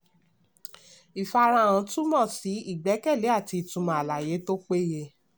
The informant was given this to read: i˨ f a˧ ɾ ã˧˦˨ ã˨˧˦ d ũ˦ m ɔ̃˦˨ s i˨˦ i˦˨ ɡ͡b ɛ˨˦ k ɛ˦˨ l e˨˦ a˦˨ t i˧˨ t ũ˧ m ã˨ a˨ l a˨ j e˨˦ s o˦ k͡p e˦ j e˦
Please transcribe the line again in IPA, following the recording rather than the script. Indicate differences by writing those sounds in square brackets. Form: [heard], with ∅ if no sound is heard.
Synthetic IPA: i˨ f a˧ ɾ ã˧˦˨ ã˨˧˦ [t] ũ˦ m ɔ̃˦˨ s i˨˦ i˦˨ ɡ͡b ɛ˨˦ k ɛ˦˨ l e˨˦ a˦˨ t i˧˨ t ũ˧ m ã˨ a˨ l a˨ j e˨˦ [t] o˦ k͡p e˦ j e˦